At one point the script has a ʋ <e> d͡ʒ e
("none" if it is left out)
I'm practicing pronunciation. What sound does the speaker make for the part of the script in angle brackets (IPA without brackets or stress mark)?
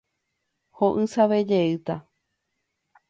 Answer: e